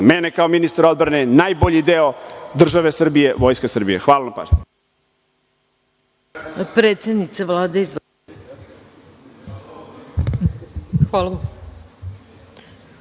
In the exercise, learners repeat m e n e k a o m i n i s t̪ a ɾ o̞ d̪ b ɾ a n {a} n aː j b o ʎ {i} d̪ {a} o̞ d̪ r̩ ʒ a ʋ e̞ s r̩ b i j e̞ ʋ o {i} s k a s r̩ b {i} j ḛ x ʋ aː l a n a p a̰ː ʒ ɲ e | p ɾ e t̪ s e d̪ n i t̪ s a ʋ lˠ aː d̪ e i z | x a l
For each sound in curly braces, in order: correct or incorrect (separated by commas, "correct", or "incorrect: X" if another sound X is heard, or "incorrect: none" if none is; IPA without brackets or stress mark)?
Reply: incorrect: e, correct, incorrect: e, incorrect: j, correct